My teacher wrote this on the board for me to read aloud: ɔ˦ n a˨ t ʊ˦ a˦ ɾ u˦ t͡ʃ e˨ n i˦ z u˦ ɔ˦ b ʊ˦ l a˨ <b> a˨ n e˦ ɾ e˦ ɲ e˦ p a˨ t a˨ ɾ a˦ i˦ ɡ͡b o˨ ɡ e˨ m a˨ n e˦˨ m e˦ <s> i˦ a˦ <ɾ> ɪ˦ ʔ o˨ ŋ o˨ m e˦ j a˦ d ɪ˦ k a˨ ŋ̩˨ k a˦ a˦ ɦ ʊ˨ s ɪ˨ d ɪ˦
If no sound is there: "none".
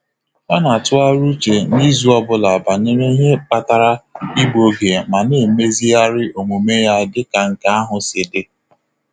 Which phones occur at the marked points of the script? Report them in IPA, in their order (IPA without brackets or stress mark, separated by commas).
b, z, ɾ